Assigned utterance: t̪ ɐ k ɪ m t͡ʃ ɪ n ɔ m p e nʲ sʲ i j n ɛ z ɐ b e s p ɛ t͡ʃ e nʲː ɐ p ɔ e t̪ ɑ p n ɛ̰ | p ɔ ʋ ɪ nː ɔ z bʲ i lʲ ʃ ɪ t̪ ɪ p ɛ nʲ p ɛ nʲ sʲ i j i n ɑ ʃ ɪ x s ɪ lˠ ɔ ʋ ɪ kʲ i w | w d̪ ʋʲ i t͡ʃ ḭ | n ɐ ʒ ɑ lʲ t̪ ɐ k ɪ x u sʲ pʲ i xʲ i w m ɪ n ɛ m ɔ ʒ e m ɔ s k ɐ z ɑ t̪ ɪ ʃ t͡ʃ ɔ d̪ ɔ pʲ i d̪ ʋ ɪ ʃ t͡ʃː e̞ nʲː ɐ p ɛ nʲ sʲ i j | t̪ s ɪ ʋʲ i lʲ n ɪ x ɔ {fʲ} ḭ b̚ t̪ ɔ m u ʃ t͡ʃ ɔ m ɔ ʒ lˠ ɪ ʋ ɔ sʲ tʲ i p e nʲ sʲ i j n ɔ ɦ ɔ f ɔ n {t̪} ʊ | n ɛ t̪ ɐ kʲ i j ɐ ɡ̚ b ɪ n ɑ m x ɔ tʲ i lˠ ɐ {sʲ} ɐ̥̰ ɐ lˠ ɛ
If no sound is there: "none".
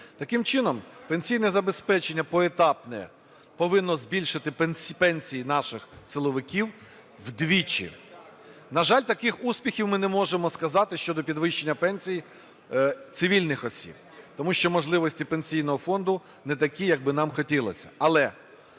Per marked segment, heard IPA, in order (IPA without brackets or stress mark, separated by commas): sʲ, d̪, sʲ